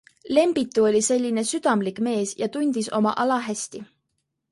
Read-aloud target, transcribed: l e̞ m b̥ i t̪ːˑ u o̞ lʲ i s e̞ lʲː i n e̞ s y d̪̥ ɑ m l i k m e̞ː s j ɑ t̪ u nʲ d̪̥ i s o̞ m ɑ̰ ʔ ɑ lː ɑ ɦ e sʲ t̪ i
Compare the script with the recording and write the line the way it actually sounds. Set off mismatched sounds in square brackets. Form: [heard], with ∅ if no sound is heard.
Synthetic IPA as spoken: l e̞ m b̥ i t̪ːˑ u o̞ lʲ i s e̞ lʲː i n e̞ s y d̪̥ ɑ m l i k m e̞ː s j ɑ t̪ u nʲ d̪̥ i s o̞ m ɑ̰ ʔ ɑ [l] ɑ ɦ [æ] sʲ t̪ i

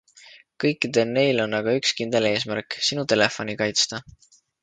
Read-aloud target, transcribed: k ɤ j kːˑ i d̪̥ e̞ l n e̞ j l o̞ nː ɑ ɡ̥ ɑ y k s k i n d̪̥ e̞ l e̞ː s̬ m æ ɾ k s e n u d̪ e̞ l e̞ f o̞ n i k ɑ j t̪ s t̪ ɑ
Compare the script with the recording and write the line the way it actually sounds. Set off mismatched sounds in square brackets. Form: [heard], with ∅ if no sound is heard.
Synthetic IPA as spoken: k ɤ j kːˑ i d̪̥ e̞ l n e̞ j l o̞ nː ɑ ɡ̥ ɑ y k s k i n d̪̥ e̞ l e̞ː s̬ m æ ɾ k s [i] n u [t̪] e̞ l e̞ f o̞ n i k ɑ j t̪ s t̪ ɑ

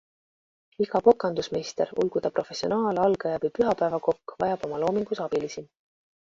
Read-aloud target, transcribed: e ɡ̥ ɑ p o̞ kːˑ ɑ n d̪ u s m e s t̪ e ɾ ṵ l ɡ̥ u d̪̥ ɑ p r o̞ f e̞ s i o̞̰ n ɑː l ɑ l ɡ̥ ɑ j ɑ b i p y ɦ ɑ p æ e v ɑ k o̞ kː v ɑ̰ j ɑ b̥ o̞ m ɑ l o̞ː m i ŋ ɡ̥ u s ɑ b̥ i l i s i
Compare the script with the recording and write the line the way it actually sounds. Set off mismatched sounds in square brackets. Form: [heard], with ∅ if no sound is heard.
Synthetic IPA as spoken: [i] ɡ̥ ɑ p o̞ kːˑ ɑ n d̪ u s m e s t̪ e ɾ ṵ l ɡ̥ u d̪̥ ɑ p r o̞ f e̞ s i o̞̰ n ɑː l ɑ l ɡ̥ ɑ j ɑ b i p y ɦ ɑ p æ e v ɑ k o̞ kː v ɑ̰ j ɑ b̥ o̞ m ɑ l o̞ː m i ŋ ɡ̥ u s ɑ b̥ i l i s i

